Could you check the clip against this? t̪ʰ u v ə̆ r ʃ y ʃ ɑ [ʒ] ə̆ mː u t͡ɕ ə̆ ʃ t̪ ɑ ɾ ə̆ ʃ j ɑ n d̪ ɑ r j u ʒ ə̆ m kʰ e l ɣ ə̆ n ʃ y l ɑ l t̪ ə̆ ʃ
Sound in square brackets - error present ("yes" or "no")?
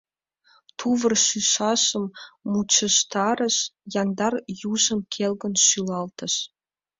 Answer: yes